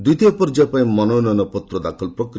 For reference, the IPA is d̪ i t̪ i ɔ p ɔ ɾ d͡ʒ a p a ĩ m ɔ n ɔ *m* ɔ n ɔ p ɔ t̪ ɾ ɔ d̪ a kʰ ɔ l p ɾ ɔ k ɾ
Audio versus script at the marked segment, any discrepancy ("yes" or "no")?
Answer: yes